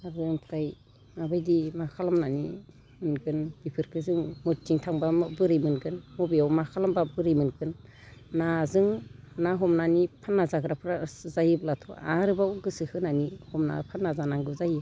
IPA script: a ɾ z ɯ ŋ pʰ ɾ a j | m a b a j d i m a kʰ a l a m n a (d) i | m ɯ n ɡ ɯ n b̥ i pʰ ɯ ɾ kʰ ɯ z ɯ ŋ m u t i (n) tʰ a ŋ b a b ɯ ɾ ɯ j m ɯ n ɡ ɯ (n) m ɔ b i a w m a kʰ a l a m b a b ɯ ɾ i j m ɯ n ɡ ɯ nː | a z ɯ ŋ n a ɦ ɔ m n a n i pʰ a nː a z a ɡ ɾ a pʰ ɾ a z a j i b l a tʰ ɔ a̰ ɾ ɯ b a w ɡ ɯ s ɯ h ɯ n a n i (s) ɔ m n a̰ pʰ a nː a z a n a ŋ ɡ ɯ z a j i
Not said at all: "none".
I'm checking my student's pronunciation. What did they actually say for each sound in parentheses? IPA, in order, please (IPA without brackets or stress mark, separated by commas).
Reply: n, ŋ, n, h